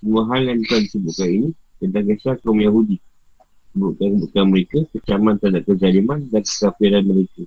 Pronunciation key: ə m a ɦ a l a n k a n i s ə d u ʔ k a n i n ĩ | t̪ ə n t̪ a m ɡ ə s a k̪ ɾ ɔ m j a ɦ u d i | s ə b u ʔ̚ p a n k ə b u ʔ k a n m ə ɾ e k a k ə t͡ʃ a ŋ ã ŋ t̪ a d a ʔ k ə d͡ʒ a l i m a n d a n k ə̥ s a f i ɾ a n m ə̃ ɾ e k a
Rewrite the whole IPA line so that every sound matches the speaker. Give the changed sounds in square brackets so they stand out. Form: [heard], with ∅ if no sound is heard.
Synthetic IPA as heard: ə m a ɦ a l a n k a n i s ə [b] u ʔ k a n i n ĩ | t̪ ə n t̪ a [ŋ] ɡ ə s a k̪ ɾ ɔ m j a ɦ u d i | s ə b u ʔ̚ [k] a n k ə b u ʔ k a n m ə ɾ e k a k ə t͡ʃ a [m] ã [n] t̪ a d a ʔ k ə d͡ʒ a l i m a n d a n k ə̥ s a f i ɾ a n m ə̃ ɾ e k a